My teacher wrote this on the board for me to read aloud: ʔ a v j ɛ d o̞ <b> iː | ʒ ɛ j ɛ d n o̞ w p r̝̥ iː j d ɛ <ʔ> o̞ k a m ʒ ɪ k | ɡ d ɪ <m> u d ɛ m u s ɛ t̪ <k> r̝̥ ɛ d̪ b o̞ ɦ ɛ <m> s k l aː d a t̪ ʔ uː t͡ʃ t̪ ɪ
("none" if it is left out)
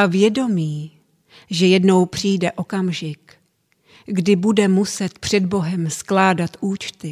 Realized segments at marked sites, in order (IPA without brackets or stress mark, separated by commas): m, ʔ, b, p, m